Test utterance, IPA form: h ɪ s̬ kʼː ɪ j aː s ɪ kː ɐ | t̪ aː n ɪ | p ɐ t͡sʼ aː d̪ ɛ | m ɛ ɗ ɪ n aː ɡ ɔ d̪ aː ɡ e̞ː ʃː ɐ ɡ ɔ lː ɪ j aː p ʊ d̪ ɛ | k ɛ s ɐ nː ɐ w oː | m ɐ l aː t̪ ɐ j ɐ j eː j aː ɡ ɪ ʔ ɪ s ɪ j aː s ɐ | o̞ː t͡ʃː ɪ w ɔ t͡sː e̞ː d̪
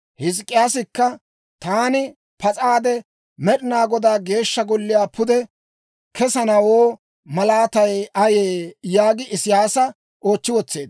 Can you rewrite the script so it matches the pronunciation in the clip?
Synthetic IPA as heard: h ɪ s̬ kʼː ɪ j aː s ɪ kː ɐ | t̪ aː n ɪ | p ɐ t͡sʼ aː d̪ ɛ | m ɛ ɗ ɪ n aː ɡ ɔ d̪ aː ɡ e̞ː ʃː ɐ ɡ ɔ lː ɪ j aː p ʊ d̪ ɛ | k ɛ s ɐ n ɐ w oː | m ɐ l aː t̪ ɐ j ɐ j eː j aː ɡ ɪ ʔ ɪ s ɪ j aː s ɐ | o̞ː t͡ʃː ɪ w ɔ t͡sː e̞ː d̪